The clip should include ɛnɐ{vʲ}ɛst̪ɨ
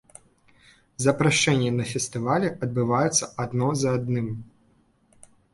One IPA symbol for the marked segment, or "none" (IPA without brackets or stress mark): fʲ